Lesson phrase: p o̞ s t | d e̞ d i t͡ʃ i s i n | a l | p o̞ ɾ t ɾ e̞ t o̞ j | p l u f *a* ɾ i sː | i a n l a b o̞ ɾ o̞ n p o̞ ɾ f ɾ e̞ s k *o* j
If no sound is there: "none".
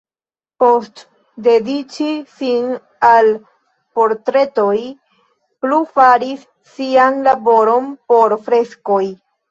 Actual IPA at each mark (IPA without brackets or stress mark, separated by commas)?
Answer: a, o